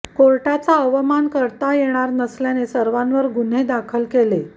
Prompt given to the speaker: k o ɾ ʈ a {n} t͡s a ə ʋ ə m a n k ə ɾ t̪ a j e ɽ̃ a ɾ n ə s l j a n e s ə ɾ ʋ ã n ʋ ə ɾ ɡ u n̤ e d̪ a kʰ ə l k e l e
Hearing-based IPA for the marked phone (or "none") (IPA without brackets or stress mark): none